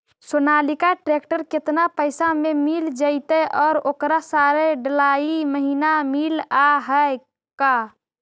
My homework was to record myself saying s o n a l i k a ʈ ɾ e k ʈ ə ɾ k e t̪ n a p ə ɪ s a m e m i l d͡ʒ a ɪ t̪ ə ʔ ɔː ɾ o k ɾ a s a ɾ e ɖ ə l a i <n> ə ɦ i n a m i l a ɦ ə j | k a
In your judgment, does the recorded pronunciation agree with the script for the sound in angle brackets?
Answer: no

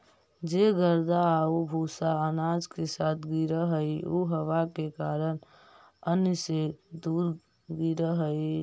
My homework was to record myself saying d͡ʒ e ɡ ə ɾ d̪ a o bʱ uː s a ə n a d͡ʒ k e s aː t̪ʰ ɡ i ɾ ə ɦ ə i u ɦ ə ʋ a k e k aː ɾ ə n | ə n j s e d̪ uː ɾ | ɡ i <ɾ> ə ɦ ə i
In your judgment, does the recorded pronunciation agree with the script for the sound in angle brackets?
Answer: yes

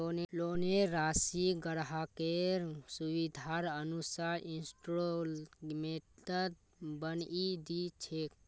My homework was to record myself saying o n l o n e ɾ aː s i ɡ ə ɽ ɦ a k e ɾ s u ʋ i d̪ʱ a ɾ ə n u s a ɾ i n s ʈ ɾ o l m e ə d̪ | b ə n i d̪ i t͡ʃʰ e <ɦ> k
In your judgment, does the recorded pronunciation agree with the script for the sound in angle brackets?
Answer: no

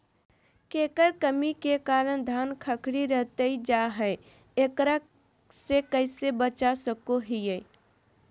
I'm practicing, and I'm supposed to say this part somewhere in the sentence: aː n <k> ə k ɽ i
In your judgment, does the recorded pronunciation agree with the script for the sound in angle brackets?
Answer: no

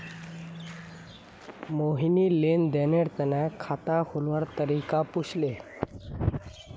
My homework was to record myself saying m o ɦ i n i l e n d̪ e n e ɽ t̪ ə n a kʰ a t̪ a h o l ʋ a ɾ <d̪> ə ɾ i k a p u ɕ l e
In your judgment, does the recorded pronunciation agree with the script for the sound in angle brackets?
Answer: no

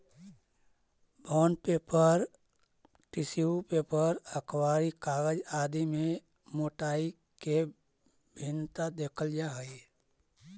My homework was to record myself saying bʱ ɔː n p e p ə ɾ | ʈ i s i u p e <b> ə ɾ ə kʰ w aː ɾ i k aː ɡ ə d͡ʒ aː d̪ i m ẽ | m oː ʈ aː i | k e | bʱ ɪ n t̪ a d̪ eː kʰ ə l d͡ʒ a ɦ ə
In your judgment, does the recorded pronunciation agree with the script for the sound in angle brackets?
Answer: no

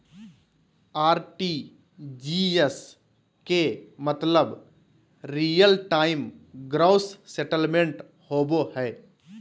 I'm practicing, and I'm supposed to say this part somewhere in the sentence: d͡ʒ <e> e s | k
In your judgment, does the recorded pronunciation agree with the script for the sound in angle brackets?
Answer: no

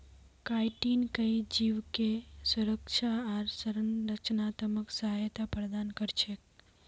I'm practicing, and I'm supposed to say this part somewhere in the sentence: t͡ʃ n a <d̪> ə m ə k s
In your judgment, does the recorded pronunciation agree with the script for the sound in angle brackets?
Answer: no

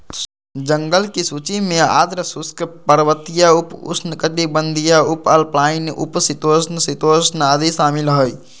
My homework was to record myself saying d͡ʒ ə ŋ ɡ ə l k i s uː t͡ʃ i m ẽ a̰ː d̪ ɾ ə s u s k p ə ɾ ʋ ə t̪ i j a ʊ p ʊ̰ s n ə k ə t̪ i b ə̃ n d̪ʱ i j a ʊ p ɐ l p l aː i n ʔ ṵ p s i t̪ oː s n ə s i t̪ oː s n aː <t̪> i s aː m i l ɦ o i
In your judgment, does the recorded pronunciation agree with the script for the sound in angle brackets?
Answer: no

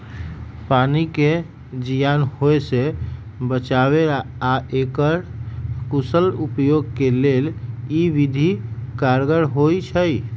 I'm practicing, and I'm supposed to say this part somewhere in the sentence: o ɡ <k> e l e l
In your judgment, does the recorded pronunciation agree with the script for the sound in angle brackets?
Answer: yes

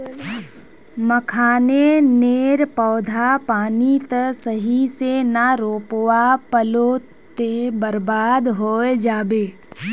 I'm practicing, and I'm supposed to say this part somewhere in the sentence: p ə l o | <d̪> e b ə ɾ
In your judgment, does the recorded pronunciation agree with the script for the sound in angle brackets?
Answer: no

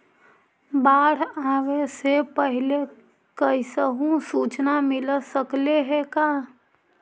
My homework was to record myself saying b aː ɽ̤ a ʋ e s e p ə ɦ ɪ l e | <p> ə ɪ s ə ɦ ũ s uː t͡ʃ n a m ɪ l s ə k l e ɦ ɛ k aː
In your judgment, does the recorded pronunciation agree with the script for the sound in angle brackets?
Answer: no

